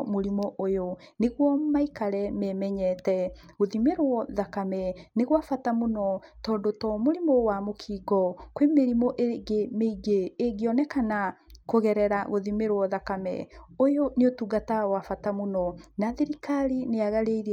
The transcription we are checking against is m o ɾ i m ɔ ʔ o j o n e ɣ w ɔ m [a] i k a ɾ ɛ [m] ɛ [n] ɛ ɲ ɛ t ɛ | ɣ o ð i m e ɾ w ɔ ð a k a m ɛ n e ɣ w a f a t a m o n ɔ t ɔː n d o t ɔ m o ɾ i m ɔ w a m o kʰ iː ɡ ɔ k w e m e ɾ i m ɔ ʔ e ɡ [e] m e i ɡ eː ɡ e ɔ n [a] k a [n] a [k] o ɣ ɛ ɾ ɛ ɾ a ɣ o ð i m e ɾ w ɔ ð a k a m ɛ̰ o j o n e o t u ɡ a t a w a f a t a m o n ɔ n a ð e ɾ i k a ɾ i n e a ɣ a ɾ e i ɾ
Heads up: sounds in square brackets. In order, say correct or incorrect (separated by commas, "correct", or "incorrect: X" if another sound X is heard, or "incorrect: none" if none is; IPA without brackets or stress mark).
correct, correct, incorrect: m, correct, incorrect: ɛ, correct, correct